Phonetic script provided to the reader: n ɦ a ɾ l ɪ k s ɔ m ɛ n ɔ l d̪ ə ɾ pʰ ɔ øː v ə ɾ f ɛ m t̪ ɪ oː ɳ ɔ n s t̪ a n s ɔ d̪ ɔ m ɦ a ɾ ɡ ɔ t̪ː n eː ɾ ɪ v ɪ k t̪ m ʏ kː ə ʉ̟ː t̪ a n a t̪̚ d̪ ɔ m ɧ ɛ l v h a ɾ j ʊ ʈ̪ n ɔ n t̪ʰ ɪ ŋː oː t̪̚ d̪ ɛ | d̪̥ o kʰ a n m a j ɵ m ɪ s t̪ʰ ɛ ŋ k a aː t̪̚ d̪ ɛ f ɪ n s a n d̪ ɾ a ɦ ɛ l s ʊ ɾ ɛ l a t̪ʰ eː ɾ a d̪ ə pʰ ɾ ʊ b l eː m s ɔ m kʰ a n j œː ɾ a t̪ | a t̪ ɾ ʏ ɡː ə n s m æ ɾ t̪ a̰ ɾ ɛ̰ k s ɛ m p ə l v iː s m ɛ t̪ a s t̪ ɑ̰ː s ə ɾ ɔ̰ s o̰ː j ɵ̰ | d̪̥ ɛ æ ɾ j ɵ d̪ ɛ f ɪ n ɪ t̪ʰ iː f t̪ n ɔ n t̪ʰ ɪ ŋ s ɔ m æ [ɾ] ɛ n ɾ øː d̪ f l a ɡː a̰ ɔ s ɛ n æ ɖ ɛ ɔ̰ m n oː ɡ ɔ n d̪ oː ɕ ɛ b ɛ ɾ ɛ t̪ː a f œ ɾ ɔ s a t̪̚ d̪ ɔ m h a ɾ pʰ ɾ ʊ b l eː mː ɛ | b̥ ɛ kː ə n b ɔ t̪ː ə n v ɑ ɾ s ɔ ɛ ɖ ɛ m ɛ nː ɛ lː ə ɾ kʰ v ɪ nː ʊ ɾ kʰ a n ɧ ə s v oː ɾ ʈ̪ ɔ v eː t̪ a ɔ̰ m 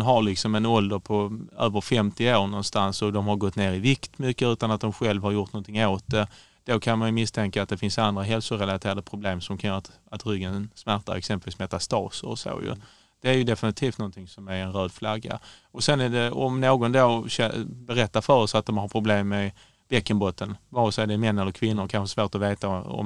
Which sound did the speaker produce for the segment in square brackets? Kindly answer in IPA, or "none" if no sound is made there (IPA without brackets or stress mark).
ɾ